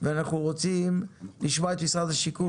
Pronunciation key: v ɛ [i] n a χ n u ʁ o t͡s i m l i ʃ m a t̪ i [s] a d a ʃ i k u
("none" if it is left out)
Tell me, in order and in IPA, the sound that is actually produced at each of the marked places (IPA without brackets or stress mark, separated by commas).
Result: a, s